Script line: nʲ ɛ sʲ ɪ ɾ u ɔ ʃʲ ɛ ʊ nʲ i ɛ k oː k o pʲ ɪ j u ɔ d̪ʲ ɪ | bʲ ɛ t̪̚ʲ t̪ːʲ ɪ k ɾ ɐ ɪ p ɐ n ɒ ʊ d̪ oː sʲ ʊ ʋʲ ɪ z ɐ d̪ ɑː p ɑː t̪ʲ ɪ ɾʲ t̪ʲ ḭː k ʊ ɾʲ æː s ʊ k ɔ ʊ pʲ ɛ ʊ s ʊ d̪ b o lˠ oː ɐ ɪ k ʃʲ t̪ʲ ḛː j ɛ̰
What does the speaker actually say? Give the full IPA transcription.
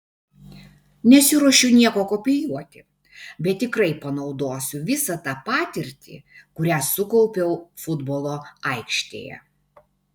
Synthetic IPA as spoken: nʲ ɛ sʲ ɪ ɾ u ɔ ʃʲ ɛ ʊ nʲ i ɛ k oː k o pʲ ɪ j u ɔ t̪ʲ ɪ | bʲ ɛ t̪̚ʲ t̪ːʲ ɪ k ɾ ɐ ɪ p ɐ n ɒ ʊ d̪ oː sʲ ʊ ʋʲ ɪ s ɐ t̪ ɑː p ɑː t̪ʲ ɪ ɾʲ t̪ʲ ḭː k ʊ ɾʲ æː s ʊ k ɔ ʊ pʲ ɛ ʊ f ʊ d̪ b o lˠ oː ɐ ɪ k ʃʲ t̪ʲ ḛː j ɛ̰